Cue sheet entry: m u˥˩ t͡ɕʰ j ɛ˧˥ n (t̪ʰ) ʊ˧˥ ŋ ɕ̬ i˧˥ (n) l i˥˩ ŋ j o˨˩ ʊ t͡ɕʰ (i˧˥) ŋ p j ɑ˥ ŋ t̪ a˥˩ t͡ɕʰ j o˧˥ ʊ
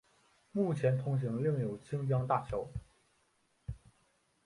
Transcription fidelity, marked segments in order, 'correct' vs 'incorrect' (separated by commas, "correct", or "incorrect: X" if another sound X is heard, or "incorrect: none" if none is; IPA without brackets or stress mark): correct, incorrect: ŋ, incorrect: i˥